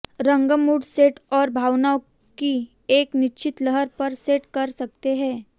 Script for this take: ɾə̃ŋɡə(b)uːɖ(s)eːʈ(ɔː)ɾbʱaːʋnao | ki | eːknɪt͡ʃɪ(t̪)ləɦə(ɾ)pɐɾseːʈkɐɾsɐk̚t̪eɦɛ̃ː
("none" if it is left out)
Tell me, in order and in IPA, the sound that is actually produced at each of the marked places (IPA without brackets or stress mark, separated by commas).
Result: m, s, ɔː, t̪, ɾ